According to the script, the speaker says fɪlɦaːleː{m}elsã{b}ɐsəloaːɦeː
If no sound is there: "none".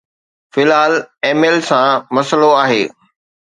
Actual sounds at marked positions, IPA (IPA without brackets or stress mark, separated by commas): m, m